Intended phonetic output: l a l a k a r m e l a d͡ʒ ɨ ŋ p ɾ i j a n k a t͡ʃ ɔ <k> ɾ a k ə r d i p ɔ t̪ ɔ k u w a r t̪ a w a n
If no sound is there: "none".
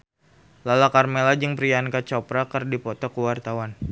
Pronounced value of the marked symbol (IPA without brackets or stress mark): p